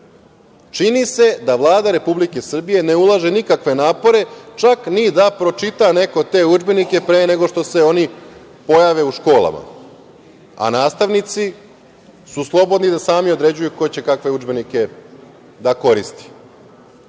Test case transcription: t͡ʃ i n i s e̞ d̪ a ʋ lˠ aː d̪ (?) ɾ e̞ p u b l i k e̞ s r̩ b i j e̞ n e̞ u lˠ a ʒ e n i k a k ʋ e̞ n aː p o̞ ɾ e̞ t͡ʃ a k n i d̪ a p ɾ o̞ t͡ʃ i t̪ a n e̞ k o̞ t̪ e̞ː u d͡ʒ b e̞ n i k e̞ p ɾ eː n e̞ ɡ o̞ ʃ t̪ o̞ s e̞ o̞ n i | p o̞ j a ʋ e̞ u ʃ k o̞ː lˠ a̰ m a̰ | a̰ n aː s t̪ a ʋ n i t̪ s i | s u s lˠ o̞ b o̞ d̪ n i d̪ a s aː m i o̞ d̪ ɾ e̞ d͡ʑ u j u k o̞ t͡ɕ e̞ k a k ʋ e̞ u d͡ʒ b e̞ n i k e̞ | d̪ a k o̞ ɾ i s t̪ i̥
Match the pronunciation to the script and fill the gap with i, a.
a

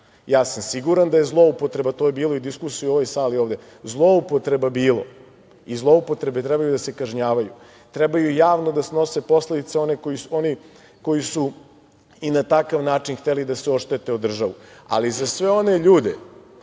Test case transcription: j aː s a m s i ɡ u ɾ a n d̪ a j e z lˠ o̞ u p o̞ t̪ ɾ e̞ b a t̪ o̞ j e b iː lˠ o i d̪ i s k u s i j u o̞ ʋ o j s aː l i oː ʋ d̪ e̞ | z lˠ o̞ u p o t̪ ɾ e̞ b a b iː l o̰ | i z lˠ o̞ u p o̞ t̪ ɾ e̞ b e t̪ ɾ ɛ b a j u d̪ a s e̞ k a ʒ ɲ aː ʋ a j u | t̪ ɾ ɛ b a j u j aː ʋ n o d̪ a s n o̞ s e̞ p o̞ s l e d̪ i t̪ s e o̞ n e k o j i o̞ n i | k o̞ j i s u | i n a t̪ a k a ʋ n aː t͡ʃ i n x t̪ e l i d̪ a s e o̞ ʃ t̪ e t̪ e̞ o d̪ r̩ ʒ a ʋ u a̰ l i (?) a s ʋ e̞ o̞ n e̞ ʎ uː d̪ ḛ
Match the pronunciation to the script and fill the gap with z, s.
z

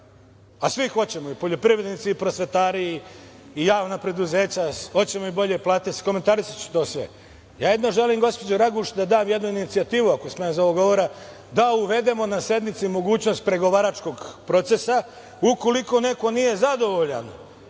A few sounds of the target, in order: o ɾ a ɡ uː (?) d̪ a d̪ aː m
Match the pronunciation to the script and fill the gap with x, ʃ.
ʃ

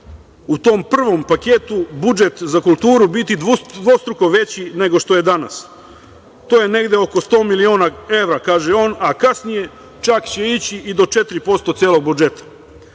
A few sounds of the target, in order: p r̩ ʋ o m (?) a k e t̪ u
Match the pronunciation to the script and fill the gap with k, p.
p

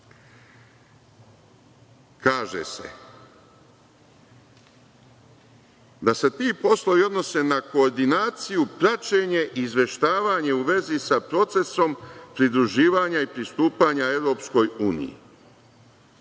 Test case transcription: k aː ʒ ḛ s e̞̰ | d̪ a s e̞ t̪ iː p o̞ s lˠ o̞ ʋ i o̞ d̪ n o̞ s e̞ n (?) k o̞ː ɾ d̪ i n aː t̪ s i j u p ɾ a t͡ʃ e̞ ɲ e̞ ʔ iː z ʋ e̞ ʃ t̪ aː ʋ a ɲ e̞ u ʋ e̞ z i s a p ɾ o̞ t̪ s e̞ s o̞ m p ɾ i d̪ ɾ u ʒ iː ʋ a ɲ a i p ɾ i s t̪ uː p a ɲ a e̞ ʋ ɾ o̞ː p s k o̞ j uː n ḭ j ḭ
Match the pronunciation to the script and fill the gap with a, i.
a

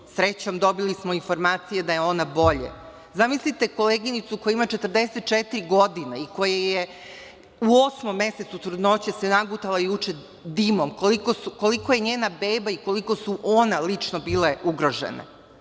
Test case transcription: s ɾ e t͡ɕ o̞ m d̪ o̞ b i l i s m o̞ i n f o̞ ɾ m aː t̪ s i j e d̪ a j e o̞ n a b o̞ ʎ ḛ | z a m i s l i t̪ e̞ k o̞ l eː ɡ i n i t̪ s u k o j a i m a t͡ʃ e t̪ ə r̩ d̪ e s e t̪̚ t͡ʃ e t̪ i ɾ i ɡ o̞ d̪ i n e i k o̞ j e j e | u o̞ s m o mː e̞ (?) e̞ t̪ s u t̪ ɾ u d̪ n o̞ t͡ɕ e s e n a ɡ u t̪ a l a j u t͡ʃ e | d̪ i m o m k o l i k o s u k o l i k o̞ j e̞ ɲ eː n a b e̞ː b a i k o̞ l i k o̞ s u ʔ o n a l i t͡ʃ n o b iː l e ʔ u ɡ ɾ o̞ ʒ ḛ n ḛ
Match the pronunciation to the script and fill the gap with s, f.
s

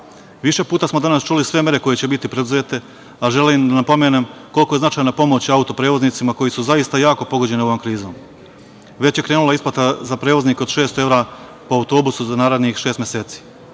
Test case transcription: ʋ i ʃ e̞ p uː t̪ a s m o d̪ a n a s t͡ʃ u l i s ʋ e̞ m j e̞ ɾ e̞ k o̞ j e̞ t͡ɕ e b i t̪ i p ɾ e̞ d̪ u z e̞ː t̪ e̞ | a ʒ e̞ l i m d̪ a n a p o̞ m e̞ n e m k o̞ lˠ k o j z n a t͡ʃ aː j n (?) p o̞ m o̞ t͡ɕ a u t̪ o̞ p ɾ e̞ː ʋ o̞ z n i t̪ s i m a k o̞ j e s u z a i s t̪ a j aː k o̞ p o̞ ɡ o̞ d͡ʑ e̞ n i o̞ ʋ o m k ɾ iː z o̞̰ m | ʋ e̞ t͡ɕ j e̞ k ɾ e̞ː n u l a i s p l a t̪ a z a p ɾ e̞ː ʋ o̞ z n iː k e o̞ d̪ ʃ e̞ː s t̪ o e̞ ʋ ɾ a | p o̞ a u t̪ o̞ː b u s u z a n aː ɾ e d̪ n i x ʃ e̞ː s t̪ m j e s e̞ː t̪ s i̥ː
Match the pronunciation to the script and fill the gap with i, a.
a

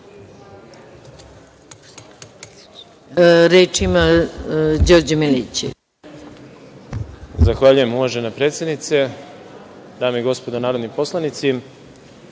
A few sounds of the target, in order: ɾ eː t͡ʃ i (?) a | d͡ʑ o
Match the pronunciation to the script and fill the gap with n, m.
m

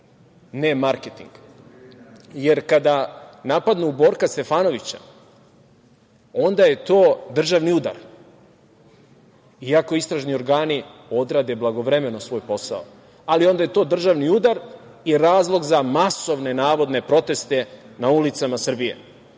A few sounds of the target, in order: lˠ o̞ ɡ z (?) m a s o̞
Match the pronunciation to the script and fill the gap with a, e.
a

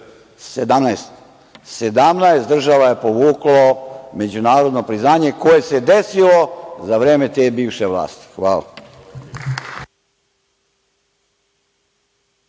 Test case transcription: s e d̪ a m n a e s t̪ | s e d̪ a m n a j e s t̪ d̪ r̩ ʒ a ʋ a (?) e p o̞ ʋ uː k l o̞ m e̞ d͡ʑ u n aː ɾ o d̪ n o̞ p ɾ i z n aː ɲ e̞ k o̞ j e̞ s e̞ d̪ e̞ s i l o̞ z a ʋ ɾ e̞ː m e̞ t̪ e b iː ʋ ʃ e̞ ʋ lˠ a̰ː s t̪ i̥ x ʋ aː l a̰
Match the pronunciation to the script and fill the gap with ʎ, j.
j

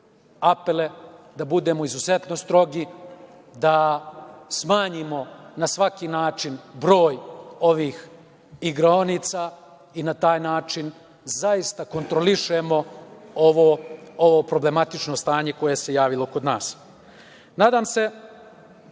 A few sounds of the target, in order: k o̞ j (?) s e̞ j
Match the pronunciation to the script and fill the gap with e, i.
e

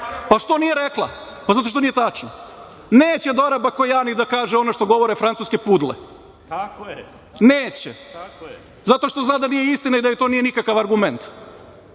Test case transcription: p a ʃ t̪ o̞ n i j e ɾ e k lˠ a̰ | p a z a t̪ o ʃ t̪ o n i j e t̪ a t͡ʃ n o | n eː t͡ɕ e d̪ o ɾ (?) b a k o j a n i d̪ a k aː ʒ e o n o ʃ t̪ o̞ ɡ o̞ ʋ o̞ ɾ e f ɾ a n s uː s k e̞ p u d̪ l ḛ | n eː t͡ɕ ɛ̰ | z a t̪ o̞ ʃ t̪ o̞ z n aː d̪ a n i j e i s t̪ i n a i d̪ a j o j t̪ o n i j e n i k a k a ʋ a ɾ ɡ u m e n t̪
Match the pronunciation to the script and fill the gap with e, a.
a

